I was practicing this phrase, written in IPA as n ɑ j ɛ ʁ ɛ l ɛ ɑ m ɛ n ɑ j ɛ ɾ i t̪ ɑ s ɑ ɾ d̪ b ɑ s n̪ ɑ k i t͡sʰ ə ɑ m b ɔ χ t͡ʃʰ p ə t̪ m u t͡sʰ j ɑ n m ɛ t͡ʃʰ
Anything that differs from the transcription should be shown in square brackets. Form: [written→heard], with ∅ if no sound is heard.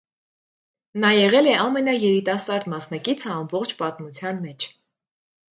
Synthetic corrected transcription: n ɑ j ɛ ʁ ɛ l ɛ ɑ m ɛ n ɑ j ɛ ɾ i t̪ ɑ s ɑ ɾ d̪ [b→m] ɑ s n̪ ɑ k i t͡sʰ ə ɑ m b ɔ χ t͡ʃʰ p [ə→ɑ] t̪ m u t͡sʰ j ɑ n m ɛ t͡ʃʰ